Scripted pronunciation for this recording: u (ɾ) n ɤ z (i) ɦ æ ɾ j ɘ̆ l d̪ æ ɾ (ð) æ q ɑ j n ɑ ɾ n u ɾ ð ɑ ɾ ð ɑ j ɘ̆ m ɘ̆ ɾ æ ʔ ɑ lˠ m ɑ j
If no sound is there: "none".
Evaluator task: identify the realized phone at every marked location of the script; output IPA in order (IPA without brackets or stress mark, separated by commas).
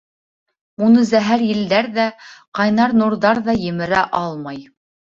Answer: none, æ, ð